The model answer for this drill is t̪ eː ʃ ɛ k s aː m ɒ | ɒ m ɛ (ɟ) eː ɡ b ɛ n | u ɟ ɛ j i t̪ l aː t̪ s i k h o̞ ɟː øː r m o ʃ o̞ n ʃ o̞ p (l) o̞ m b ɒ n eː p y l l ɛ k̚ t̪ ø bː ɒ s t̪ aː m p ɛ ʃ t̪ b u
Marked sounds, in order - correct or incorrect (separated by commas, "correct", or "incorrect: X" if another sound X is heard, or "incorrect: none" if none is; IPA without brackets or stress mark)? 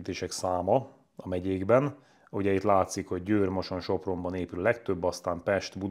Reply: correct, incorrect: r